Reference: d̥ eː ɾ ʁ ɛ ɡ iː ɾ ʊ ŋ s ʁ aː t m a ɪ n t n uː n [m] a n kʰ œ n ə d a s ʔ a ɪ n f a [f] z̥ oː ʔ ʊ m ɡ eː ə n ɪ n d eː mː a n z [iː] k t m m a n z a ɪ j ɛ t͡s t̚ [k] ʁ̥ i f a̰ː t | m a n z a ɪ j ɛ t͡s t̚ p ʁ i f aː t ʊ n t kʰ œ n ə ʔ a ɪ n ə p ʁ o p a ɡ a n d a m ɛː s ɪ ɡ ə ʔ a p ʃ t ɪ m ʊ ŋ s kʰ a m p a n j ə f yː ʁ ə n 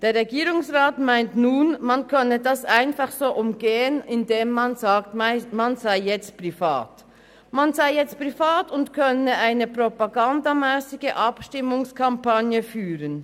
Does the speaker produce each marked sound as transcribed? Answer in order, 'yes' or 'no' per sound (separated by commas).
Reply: yes, no, no, no